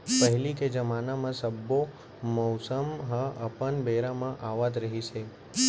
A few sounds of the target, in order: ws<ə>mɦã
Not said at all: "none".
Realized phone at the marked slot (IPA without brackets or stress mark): ə